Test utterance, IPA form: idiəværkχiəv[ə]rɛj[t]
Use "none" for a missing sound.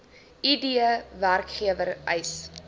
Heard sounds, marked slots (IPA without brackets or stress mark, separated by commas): ə, s